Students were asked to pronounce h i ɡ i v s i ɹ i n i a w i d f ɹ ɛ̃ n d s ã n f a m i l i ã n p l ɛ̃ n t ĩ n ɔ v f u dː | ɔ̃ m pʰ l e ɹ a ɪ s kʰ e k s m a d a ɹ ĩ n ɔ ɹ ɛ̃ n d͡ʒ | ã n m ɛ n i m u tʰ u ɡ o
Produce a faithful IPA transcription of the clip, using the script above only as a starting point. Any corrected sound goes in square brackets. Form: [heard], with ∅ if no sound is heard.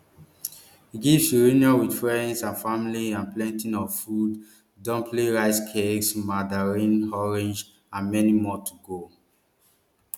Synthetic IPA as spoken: h i ɡ i v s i ɹ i n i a w i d f ɹ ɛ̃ n d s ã n f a m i l i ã n p l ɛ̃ n t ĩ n ɔ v f u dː | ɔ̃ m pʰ l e ɹ a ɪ s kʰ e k s m a d a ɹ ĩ n ɔ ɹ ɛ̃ n d͡ʒ | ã n m ɛ n i m [ɔ] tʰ u ɡ o